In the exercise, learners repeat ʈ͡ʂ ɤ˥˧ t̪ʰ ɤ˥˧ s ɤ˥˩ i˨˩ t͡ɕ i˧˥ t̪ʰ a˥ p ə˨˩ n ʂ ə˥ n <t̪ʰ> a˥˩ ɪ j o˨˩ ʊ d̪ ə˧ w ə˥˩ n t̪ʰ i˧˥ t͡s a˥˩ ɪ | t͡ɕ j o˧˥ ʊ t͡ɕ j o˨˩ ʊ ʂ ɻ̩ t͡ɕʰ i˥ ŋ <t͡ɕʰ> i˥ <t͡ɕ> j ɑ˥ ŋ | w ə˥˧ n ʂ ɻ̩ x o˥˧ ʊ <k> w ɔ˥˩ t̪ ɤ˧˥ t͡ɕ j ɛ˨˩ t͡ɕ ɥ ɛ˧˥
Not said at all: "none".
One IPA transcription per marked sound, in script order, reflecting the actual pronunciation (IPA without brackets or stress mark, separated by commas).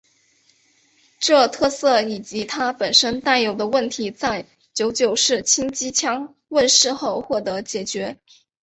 t̪, t͡ɕ, t͡ɕʰ, x